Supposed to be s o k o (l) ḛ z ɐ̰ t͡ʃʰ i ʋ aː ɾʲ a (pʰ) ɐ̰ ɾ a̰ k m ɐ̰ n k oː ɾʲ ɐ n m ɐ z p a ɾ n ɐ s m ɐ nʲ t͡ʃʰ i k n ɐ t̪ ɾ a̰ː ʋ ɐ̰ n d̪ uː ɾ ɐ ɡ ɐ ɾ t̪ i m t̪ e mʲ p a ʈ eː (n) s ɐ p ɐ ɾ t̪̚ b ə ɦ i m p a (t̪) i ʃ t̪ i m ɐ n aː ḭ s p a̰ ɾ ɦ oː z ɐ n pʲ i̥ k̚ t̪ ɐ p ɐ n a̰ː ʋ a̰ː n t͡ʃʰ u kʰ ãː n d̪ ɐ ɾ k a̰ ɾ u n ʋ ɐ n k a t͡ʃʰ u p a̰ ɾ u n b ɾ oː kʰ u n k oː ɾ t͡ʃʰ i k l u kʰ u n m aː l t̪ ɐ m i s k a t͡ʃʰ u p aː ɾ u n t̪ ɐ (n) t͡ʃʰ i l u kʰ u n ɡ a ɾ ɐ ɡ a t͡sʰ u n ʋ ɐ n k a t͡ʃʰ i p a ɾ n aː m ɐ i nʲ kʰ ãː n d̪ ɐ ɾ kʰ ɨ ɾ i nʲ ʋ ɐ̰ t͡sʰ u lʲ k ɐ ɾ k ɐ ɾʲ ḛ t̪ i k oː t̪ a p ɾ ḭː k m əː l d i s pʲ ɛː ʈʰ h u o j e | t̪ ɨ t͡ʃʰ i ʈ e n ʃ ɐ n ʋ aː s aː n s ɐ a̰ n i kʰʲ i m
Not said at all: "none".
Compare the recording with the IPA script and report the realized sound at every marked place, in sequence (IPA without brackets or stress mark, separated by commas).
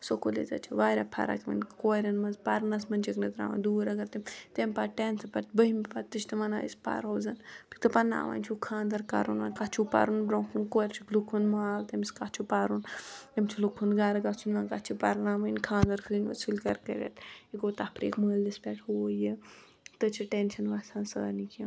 l, pʰ, n, t̪, m